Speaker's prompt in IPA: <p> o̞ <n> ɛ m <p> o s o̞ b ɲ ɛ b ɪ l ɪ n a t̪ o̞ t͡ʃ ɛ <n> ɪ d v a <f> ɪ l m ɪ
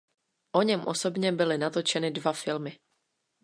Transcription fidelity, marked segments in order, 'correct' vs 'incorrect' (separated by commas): incorrect, incorrect, incorrect, correct, correct